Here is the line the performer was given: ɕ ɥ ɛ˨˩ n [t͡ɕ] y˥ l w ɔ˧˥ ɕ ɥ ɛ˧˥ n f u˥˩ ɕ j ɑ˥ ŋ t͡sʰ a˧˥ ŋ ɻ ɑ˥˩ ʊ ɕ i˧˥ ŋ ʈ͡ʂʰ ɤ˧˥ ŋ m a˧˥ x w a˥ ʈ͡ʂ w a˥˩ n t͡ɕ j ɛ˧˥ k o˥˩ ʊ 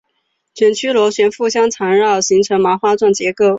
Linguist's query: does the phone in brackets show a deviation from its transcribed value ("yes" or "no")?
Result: yes